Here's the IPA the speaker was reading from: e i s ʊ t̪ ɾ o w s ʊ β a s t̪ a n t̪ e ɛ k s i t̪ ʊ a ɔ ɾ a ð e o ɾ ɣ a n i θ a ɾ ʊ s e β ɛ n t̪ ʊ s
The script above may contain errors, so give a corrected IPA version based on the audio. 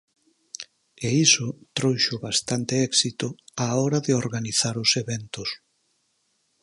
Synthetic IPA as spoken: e i s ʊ t̪ ɾ o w ʃ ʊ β a s t̪ a n t̪ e ɛ k s i t̪ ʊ a ɔ ɾ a ð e o ɾ ɣ a n i θ a ɾ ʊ s e β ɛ n t̪ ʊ s